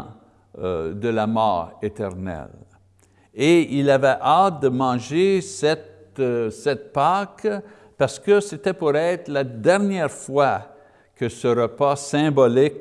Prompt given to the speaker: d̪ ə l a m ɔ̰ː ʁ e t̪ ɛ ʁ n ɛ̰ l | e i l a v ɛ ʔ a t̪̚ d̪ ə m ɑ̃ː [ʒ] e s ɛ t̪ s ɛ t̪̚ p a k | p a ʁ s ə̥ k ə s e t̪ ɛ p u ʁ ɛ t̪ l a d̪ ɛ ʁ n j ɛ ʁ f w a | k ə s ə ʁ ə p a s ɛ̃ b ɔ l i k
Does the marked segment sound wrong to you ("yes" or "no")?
no